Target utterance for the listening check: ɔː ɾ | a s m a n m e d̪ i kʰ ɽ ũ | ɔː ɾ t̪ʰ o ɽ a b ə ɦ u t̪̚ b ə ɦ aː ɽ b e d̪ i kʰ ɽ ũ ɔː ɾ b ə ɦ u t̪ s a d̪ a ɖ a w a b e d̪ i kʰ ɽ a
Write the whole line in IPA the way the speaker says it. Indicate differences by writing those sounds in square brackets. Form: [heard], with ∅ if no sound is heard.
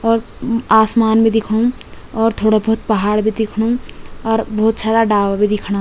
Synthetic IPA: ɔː ɾ | a s m a n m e d̪ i kʰ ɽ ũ | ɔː ɾ t̪ʰ o ɽ a b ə ɦ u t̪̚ [p] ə ɦ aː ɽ b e d̪ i kʰ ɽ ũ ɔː ɾ b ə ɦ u t̪ s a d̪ a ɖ a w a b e d̪ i kʰ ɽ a